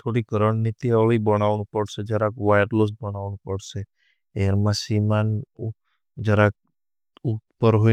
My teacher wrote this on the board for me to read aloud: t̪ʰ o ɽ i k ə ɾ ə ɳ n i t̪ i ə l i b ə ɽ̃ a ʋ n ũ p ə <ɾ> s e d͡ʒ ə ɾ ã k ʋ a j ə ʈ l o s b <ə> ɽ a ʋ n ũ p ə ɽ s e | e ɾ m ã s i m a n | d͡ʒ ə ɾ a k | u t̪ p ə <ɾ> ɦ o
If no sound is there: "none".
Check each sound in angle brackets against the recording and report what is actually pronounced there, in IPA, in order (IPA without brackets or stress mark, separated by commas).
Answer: ɽ, ə, ɾ